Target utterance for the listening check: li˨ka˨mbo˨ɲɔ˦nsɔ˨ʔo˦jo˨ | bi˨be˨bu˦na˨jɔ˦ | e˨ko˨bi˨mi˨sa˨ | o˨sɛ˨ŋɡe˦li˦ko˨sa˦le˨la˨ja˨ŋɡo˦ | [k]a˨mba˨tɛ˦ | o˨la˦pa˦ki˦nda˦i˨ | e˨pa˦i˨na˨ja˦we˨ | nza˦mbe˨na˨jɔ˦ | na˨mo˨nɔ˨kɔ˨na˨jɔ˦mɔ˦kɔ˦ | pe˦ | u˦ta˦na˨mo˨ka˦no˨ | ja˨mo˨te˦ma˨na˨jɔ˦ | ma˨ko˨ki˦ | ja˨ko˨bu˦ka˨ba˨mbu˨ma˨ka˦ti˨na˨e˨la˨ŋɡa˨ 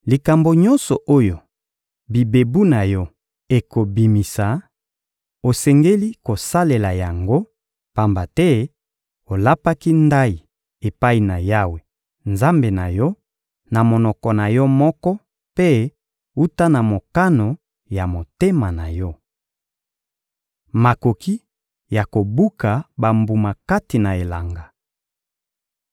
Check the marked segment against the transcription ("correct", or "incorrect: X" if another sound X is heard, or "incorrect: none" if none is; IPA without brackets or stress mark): incorrect: p